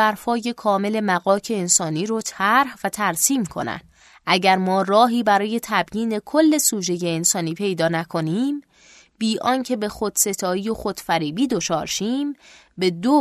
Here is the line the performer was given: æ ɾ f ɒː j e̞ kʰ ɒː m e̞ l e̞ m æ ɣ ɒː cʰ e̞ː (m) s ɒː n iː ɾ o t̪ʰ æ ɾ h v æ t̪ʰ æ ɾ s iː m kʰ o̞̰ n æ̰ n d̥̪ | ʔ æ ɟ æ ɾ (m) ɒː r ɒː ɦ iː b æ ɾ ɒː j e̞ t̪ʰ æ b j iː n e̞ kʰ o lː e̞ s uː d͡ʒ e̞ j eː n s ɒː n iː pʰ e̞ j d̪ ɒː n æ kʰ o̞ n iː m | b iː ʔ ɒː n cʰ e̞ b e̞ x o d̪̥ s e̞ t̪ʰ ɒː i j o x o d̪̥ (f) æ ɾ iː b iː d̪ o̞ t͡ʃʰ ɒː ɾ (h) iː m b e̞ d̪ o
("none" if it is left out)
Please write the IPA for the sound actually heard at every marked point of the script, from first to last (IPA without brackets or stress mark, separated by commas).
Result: n, m, f, ʃ